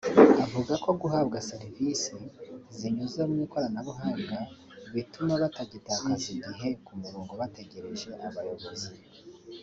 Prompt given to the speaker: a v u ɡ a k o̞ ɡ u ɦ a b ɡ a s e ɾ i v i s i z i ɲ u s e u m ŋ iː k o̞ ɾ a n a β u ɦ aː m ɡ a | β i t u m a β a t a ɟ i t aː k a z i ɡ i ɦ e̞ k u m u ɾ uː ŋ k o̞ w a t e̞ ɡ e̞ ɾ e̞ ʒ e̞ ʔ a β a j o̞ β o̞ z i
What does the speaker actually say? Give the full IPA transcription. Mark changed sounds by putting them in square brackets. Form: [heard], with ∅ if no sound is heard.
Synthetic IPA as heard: a v u ɡ a k o̞ ɡ u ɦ a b ɡ a s e ɾ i v i s i z i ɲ u [z] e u m ŋ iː k o̞ ɾ a n a β u ɦ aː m ɡ a | β i t u m a β a t a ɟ i t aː k a z i ɡ i ɦ e̞ k u m u ɾ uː ŋ [ɡ] o̞ [β] a t e̞ ɡ e̞ ɾ e̞ ʒ e̞ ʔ a β a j o̞ β o̞ z i